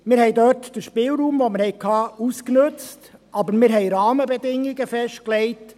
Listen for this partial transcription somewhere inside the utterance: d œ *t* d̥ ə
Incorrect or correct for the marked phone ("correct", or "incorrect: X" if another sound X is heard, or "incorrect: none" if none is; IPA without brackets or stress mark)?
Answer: correct